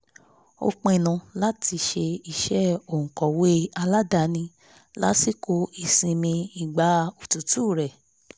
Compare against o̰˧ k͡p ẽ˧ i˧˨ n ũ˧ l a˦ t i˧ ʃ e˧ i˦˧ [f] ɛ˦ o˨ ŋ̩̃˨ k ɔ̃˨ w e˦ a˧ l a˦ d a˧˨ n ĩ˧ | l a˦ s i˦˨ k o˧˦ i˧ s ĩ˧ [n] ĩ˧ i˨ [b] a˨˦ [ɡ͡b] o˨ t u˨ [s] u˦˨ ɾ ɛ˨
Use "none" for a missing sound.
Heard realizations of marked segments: ʃ, m, ɡ͡b, none, t

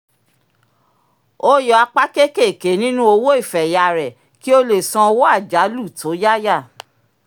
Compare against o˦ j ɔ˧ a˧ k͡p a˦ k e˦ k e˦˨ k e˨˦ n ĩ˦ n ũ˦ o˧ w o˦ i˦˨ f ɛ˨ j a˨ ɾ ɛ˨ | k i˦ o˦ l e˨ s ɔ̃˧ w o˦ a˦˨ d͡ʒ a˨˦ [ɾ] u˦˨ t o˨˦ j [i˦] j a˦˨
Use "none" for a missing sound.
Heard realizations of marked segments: l, a˦

